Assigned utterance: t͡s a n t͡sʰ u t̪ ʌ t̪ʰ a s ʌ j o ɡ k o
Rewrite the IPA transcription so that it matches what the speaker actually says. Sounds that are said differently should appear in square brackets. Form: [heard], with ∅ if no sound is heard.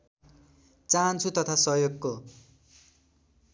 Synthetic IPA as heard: t͡s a n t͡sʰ u t̪ ʌ t̪ʰ a s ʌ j o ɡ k o